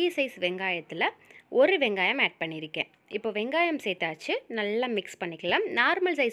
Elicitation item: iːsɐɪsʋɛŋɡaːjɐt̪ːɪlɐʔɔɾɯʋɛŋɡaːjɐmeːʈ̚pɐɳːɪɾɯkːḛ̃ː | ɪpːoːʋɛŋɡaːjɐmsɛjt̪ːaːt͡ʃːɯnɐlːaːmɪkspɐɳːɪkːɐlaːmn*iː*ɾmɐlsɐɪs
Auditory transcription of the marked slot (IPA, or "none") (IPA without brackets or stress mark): aː